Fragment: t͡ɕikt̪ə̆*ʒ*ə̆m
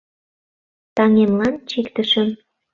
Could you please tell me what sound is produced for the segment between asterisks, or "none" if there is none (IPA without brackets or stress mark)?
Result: ʃ